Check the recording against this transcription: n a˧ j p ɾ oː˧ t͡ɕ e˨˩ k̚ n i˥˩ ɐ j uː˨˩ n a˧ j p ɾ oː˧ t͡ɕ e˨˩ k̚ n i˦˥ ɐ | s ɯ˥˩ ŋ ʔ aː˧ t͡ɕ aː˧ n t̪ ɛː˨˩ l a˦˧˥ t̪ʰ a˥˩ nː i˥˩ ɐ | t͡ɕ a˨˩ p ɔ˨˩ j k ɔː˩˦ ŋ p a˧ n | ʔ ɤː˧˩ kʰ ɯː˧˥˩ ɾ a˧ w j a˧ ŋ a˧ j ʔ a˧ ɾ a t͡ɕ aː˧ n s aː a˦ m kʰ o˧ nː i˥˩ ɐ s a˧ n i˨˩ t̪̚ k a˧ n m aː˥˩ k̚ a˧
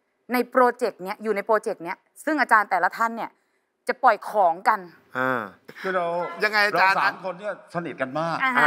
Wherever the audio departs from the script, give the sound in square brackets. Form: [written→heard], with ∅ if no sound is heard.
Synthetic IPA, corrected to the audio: n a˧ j p ɾ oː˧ t͡ɕ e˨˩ k̚ n [i˥˩→i˦˥] ɐ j uː˨˩ n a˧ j p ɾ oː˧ t͡ɕ e˨˩ k̚ n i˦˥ ɐ | s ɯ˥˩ ŋ ʔ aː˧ t͡ɕ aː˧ n t̪ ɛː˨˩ l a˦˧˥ t̪ʰ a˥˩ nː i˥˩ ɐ | t͡ɕ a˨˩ p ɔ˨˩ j [k→kʰ] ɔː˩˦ ŋ [p→k] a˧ n | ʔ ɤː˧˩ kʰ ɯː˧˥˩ ɾ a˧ w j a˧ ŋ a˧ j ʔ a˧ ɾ a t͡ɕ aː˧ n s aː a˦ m kʰ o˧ nː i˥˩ ɐ s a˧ n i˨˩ t̪̚ k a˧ n m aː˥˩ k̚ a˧

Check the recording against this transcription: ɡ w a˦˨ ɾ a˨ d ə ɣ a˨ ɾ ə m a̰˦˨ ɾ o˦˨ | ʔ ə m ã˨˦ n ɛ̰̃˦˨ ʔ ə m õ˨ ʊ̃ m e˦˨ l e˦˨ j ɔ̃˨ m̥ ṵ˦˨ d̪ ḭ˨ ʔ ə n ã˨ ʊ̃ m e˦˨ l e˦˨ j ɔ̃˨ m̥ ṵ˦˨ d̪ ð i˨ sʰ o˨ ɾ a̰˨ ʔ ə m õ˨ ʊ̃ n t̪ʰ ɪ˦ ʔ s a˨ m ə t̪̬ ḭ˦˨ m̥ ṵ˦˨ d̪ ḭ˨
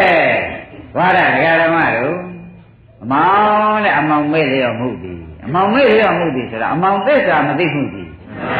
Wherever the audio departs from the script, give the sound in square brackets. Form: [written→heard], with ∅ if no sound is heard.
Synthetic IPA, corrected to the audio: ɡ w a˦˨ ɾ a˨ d ə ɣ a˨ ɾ ə m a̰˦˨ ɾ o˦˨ | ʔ ə m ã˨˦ n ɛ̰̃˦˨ ʔ ə m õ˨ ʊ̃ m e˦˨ l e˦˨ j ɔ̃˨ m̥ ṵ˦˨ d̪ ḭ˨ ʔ ə [n→m] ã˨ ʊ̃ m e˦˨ l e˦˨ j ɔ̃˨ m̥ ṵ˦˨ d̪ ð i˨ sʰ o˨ ɾ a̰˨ ʔ ə m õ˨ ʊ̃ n [t̪ʰ→t̪] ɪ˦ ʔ s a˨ m ə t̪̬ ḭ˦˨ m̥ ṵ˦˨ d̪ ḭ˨

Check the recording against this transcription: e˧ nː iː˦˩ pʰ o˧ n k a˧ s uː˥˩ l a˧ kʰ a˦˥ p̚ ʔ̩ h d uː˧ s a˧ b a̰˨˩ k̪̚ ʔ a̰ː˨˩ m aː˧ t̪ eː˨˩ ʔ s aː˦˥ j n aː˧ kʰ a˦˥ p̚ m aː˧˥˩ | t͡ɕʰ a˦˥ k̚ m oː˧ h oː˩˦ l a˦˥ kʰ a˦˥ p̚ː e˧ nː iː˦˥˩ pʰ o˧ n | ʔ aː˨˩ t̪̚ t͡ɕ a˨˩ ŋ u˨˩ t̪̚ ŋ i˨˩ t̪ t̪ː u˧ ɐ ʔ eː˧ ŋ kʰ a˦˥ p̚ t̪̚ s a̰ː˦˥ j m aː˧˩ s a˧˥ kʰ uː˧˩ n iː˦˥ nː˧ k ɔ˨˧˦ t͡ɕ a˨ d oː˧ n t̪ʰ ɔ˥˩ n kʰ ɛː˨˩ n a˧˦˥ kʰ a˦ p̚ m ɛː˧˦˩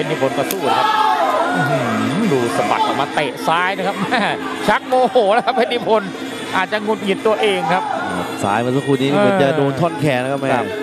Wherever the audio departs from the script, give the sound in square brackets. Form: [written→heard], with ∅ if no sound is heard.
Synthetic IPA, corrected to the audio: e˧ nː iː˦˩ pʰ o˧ n k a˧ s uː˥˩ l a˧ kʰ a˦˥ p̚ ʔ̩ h d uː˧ s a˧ b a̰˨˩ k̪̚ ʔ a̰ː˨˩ m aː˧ t̪ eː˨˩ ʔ s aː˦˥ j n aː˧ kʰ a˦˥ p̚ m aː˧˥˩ | t͡ɕʰ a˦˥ k̚ m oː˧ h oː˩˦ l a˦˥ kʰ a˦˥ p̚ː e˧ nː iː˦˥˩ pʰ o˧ n | ʔ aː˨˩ t̪̚ t͡ɕ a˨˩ ŋ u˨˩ t̪̚ ŋ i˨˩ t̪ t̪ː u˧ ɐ ʔ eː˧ ŋ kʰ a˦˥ p̚ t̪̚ s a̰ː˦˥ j m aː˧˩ s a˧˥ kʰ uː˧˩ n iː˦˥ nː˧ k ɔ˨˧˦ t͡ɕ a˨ d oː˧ n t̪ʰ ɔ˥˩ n kʰ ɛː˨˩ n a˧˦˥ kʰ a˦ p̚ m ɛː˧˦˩

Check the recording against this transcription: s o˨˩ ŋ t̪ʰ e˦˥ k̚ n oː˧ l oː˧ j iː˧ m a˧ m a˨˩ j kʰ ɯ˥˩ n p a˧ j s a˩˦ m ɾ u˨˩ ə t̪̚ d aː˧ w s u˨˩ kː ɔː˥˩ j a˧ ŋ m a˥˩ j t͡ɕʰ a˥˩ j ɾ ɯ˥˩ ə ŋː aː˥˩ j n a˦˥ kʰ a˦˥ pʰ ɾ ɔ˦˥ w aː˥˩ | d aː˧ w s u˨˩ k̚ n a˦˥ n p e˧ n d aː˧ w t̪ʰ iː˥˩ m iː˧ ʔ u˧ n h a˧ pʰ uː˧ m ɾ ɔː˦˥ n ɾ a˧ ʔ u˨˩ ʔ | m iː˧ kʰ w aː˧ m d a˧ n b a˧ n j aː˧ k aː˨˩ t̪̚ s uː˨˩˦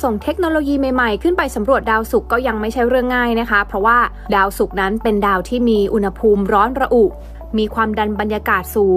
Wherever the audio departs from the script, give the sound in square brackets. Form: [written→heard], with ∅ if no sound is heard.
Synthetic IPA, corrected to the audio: s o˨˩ ŋ t̪ʰ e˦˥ k̚ n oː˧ l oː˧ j iː˧ m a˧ m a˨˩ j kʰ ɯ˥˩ n p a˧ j s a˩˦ m ɾ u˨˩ ə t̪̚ d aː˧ w s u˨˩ kː ɔː˥˩ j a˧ ŋ m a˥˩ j t͡ɕʰ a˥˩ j ɾ ɯ˥˩ ə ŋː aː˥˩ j n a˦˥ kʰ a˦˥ pʰ ɾ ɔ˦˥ w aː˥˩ | d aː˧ w s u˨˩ k̚ n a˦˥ n p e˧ n d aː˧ w t̪ʰ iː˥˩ m iː˧ ʔ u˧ n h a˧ pʰ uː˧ m ɾ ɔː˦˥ n ɾ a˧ ʔ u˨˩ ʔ | m iː˧ kʰ w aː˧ m d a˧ n b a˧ n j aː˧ k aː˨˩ t̪̚ s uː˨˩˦

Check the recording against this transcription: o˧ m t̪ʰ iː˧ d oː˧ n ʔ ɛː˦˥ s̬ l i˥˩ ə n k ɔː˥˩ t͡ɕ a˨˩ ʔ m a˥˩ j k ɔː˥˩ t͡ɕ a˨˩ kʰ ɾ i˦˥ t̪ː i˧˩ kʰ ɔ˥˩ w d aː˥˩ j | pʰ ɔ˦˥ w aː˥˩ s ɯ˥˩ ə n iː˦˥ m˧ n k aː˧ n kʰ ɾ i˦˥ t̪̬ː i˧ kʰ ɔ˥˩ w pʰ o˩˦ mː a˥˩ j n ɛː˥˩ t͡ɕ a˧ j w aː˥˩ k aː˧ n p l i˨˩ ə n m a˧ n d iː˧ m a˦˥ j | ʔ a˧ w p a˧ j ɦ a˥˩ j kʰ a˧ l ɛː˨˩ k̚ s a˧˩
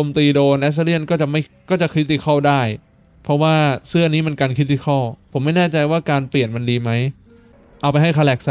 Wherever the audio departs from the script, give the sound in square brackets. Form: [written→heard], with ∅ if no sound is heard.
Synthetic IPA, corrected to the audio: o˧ m [t̪ʰ→t̪] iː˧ d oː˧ n ʔ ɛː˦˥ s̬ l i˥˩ ə n k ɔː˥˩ t͡ɕ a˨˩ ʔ m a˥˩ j k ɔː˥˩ t͡ɕ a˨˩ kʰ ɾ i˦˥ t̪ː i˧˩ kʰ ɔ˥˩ w d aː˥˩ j | pʰ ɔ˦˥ w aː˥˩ s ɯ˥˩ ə n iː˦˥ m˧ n k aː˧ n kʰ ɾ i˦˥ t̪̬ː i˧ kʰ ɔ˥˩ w pʰ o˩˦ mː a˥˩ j n ɛː˥˩ t͡ɕ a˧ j w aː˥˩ k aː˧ n p l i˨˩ ə n m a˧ n d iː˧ m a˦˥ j | ʔ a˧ w p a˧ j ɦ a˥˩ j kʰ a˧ l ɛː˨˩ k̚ s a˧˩

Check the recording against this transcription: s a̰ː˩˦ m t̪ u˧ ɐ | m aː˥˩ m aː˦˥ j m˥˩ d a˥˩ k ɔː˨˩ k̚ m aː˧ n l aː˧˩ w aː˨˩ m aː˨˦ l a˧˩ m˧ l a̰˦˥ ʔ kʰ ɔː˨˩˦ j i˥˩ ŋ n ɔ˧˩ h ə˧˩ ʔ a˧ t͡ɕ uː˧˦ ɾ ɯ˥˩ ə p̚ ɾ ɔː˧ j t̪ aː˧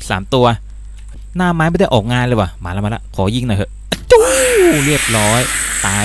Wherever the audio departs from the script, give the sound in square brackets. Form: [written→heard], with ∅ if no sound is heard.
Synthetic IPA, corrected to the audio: s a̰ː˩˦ m t̪ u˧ ɐ | [m→n] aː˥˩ m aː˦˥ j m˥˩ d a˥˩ [k→ʔ] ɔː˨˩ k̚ [m→ŋ] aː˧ n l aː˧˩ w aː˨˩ m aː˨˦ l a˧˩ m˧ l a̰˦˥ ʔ kʰ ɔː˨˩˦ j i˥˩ ŋ n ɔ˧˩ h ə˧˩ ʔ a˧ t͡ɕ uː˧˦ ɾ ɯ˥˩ ə p̚ ɾ [ɔː˧→ɔː˦˥] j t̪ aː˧

